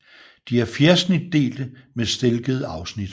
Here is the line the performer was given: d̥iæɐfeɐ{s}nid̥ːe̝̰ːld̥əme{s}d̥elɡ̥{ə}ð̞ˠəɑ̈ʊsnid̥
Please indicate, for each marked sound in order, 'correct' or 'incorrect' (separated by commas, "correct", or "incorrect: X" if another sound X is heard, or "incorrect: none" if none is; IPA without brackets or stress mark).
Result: correct, correct, correct